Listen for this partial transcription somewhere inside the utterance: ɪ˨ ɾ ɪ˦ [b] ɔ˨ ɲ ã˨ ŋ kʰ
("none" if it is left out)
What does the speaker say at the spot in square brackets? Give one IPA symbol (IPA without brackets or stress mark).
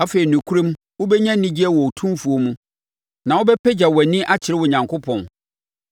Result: w